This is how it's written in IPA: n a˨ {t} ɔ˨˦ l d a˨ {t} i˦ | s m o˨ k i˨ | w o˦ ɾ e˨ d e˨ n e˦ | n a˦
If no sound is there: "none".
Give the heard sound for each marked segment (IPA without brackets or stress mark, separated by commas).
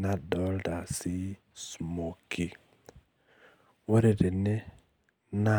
d, s